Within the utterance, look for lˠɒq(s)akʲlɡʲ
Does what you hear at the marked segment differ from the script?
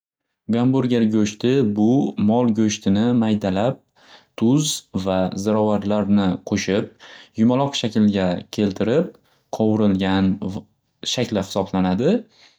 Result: yes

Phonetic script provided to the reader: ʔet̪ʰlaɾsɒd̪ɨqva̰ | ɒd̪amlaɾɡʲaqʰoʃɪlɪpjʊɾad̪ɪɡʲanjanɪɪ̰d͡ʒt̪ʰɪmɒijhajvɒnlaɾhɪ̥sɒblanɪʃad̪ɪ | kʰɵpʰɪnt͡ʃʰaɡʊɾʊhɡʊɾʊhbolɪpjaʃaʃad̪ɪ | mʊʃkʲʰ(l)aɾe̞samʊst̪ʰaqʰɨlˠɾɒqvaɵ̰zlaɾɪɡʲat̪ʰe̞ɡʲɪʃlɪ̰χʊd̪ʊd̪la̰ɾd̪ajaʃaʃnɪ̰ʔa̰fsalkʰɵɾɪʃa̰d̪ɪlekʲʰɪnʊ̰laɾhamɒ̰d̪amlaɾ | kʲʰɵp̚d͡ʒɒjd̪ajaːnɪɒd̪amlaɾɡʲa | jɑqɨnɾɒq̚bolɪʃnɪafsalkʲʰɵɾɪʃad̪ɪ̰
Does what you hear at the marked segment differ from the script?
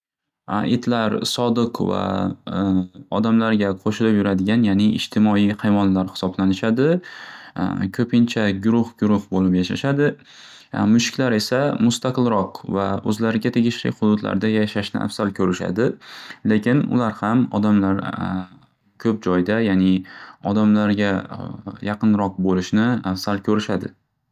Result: no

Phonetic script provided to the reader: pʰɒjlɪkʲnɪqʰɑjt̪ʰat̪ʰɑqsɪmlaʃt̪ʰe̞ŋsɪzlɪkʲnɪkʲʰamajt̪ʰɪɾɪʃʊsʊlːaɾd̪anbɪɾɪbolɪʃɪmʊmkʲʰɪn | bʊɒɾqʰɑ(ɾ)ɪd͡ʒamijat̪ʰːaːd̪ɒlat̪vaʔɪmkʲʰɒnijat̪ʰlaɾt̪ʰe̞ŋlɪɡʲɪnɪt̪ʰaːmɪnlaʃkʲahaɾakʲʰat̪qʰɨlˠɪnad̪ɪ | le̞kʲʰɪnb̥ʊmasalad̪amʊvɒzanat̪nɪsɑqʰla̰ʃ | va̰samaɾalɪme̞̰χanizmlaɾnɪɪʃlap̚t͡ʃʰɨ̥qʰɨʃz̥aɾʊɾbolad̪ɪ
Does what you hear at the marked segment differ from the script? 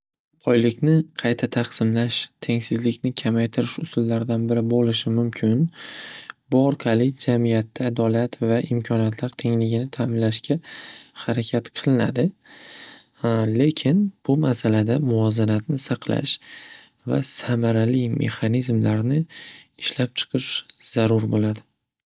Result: yes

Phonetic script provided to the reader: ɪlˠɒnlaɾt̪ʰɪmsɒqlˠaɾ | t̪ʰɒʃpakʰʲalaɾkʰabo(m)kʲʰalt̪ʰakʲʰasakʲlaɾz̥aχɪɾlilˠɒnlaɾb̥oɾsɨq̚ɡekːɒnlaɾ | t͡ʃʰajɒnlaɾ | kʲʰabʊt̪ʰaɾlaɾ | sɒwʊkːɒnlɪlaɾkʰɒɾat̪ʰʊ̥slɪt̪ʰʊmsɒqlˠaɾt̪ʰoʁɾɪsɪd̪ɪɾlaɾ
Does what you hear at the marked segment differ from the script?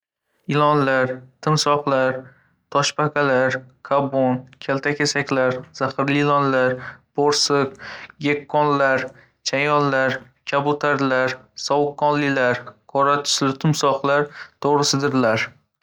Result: yes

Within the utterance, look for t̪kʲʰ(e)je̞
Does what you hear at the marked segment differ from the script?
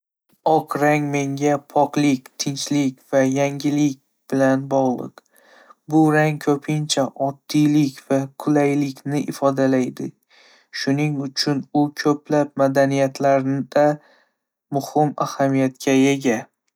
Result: yes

